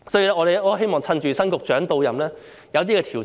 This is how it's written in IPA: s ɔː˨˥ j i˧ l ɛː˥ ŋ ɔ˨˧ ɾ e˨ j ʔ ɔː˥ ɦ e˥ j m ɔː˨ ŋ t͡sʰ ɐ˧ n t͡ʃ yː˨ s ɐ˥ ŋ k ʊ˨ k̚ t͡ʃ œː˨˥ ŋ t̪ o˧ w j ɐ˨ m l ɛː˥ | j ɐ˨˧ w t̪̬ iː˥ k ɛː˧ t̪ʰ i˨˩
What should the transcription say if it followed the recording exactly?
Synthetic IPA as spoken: s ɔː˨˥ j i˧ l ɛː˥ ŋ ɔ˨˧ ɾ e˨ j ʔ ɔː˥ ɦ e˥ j m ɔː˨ ŋ t͡sʰ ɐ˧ n t͡ʃ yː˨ s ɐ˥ n k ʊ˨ k̚ t͡ʃ œː˨˥ ŋ t̪ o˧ w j ɐ˨ m l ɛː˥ | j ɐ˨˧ w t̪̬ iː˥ k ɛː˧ t̪ʰ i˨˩